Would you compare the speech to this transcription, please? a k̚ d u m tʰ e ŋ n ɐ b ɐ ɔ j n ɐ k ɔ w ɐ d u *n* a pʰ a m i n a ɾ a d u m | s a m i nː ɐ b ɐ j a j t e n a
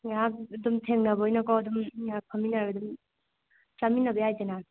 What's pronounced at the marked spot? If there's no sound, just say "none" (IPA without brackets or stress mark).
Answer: m